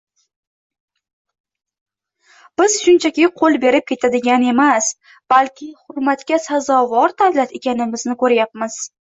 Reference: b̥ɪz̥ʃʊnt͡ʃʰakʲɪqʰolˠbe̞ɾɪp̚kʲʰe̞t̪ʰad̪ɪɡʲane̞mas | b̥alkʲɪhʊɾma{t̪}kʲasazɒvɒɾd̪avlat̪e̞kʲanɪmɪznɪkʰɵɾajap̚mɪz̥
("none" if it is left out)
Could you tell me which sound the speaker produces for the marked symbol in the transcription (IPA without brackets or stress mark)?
t̪